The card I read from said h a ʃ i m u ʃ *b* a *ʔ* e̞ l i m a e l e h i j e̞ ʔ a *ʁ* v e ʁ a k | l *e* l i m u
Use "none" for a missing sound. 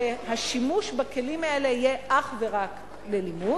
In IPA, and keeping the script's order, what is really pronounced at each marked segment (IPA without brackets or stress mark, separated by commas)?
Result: b, k, χ, e